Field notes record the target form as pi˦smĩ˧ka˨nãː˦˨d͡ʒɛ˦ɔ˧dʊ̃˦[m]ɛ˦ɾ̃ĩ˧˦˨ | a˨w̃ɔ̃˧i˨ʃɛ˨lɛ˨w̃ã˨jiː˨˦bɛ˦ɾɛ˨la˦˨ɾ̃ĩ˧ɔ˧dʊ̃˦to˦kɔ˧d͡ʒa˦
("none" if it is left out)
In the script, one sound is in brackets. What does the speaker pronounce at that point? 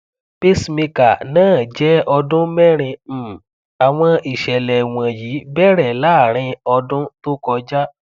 m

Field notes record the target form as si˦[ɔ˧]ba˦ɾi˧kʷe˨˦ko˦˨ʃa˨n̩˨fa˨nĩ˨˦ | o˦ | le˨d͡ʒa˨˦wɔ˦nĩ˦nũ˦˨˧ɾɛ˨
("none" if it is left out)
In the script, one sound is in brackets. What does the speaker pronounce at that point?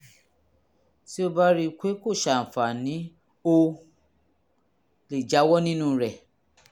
o˧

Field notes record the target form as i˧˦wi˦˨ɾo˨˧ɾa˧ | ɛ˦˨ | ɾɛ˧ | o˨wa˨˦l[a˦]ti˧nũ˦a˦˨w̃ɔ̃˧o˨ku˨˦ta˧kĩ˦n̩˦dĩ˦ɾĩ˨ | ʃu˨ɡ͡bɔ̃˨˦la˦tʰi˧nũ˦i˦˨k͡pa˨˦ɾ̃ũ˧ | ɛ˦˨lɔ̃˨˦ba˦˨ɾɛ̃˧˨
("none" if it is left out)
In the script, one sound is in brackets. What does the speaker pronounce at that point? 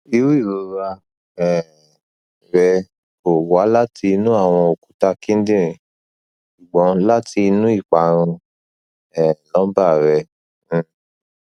a˦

